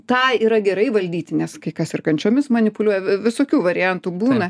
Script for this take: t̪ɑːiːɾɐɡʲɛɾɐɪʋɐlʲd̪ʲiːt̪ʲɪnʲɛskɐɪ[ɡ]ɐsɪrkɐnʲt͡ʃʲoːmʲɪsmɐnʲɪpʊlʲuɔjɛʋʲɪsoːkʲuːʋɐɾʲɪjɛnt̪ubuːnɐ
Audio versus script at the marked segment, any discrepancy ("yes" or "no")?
yes